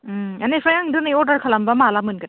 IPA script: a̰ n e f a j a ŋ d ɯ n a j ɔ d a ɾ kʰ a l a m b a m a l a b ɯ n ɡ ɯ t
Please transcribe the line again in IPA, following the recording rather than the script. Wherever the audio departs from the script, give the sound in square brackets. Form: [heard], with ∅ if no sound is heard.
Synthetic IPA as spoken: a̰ n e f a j a ŋ d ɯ n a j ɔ d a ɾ kʰ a l a m b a m a l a [m] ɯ n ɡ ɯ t